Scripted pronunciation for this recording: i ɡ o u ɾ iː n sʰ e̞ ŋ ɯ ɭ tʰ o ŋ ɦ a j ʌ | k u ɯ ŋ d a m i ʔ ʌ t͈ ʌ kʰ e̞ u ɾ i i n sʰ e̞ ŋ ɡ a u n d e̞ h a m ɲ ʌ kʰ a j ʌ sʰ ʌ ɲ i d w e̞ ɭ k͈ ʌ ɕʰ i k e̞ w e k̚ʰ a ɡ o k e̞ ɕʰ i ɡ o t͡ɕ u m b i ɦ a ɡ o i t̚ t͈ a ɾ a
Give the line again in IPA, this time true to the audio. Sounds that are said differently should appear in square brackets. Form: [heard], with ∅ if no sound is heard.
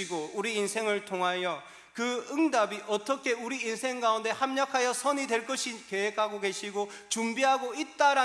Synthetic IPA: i ɡ o u ɾ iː n sʰ e̞ ŋ ɯ ɭ tʰ o ŋ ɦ a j ʌ | k [ɯ] ɯ ŋ d a [b] i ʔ ʌ t͈ ʌ kʰ e̞ u ɾ i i n sʰ e̞ ŋ ɡ a u n d e̞ h a m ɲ ʌ kʰ a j ʌ sʰ ʌ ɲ i d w e̞ ɭ k͈ ʌ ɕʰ i k e̞ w e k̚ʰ a ɡ o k e̞ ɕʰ i ɡ o t͡ɕ u m b i ɦ a ɡ o i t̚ t͈ a ɾ a